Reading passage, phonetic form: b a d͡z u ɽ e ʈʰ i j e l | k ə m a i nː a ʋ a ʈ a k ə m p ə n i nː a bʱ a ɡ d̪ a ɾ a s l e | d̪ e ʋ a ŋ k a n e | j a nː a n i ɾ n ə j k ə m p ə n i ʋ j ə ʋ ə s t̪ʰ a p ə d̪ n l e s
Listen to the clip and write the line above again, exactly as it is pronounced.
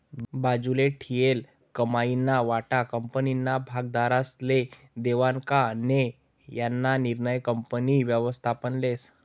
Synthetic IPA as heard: b a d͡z u l e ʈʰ i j e l | k ə m a i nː a ʋ a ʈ a k ə m p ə n i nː a bʱ a ɡ d̪ a ɾ a s l e | d̪ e ʋ a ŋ k a n e | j a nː a n i ɾ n ə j k ə m p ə n i ʋ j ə ʋ ə s t̪ʰ a p ə n l e s